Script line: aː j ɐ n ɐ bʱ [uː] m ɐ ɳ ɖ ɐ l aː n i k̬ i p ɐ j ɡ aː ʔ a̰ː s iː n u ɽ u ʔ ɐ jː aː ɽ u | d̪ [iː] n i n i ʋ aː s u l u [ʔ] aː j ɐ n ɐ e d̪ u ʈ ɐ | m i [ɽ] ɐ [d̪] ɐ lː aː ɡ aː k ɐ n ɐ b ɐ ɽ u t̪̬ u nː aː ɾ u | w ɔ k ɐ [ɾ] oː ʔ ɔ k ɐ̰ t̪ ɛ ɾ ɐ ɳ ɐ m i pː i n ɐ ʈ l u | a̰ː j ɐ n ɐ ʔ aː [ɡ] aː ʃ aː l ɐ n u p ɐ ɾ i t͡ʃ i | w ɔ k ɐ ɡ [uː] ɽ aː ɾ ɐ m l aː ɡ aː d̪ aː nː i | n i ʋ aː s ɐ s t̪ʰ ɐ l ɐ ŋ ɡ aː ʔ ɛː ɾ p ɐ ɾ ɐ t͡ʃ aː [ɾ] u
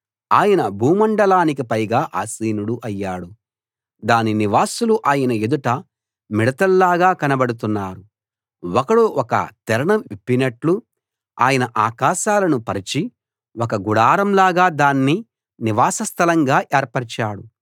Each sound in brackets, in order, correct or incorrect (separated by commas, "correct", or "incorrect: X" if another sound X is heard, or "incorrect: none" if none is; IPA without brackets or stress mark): correct, incorrect: aː, correct, correct, incorrect: t̪, incorrect: ɽ, incorrect: k, incorrect: u, incorrect: ɽ